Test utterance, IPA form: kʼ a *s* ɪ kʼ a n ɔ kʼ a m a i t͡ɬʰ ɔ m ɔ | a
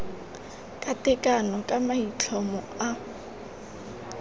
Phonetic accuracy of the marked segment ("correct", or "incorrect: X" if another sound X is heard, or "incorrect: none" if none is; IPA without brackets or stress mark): incorrect: t